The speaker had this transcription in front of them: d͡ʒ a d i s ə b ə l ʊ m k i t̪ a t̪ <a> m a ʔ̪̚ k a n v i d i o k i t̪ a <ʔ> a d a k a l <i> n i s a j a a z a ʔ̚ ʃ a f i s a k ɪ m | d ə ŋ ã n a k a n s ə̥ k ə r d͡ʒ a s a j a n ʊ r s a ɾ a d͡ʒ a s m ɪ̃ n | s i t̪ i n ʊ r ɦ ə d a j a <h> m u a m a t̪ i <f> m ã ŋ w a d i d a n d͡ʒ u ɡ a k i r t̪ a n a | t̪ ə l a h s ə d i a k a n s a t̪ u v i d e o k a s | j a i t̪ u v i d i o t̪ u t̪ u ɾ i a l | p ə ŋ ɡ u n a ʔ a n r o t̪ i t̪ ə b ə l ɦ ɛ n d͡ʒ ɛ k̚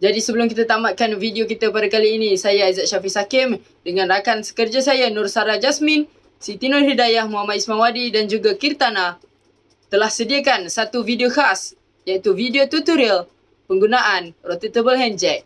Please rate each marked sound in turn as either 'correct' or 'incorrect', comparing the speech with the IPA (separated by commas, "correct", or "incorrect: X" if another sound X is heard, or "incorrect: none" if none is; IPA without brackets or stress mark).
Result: correct, incorrect: p, incorrect: iː, correct, incorrect: s